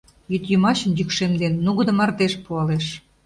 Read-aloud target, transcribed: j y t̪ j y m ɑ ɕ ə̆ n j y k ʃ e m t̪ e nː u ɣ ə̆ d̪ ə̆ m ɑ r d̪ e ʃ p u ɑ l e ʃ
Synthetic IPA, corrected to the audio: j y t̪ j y m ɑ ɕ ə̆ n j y k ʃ e m d̪ e nː u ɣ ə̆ d̪ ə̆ m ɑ r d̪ e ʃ p u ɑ l e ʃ